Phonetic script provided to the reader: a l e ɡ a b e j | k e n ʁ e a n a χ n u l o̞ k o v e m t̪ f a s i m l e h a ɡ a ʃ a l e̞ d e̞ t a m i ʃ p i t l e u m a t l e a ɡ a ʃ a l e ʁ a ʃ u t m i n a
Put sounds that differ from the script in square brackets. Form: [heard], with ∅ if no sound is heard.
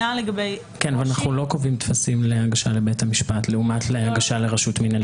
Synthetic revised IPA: a l e ɡ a b e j | k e n [v] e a n a χ n u l o̞ k o v [i] m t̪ f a s i m l e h a ɡ a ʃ a l e̞ [b] e̞ t a m i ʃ p [a] t l e u m a t l e a ɡ a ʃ a l e ʁ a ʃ u t m i n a